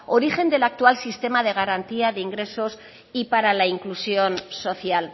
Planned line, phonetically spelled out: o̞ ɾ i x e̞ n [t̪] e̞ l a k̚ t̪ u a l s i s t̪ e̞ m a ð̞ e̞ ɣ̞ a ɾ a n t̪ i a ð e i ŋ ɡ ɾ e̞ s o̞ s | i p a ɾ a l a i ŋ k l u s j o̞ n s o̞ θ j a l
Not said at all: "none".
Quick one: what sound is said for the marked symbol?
d̪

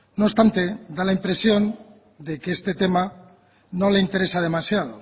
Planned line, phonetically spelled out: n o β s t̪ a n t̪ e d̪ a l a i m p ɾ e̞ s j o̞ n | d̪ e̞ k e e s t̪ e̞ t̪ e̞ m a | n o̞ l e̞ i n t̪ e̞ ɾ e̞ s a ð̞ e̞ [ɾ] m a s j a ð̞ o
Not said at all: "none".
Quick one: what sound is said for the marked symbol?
none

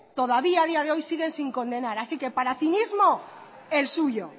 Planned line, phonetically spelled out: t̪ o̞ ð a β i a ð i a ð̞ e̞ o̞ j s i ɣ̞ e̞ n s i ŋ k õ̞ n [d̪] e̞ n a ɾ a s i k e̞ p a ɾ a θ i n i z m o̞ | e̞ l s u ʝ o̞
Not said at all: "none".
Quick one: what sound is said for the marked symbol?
d̪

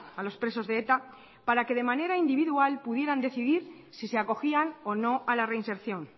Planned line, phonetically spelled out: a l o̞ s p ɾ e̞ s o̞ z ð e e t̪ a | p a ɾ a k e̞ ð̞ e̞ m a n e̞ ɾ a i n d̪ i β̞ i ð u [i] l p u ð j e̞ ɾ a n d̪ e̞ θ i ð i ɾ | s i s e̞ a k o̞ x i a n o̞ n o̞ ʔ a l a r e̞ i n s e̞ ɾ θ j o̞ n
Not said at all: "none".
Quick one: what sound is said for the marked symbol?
a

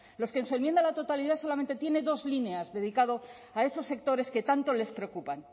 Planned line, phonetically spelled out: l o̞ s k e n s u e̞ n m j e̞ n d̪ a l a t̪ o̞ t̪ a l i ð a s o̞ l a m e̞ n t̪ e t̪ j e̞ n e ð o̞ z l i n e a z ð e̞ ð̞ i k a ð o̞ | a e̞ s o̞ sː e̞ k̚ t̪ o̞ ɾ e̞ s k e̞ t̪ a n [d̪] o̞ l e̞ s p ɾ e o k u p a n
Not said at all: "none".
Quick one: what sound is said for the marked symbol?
t̪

